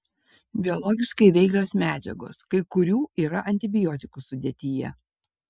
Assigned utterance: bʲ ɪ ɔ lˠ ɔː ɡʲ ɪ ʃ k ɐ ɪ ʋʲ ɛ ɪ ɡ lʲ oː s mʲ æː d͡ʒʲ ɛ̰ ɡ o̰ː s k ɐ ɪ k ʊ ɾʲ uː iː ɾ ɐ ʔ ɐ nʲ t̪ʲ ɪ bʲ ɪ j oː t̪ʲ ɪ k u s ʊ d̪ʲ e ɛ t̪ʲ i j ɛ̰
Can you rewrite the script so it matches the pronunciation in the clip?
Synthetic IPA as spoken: bʲ ɪ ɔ lˠ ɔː ɡʲ ɪ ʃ k ɐ ɪ ʋʲ ɛ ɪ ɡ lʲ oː s mʲ æː d͡ʒʲ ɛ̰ ɡ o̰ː s k ɐ ɪ k ʊ ɾʲ uː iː ɾ ɐ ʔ ɐ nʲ t̪ʲ ɪ bʲ ɪ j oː t̪ʲ ɪ k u s ʊ d̪ʲ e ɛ t̪ʲ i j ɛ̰